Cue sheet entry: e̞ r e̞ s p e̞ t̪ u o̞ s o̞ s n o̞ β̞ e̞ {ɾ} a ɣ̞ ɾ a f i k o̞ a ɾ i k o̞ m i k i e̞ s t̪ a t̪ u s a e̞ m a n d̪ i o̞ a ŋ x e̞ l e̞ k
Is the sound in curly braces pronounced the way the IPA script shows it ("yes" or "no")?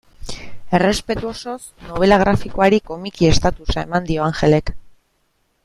no